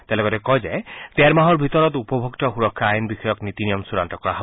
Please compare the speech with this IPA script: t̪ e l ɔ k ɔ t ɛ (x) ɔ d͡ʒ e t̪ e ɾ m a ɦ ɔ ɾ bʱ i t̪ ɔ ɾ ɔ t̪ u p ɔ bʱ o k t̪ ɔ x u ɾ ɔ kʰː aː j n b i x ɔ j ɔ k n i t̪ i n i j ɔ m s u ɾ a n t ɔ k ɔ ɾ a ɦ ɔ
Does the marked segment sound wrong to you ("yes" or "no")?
yes